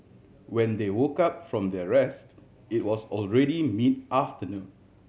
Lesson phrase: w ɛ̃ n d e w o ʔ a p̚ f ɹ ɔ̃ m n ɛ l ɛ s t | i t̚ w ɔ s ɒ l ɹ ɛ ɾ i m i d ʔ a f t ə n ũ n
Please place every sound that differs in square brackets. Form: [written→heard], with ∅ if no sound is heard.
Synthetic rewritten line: w ɛ̃ n d e w o [ʔ→k] a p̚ f ɹ ɔ̃ m [n→d] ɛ [l→ɹ] ɛ s t | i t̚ w ɔ s [ɒ→ɔ] l ɹ ɛ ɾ i m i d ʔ a f t ə n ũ n